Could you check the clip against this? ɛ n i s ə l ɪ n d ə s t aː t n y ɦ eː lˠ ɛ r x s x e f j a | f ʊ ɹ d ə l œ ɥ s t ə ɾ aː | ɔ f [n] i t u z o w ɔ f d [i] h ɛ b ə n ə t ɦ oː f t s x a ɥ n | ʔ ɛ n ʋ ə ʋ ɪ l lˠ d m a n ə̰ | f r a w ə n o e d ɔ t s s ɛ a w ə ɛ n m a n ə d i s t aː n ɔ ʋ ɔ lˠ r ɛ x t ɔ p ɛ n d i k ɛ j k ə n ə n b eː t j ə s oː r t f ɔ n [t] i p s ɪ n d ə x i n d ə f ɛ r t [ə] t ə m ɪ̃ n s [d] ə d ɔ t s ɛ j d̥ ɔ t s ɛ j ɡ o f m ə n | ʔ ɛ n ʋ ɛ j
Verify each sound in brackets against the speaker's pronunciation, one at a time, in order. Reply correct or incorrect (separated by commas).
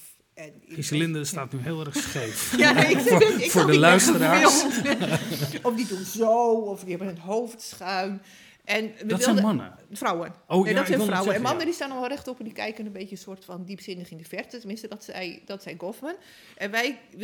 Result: incorrect, correct, incorrect, correct, incorrect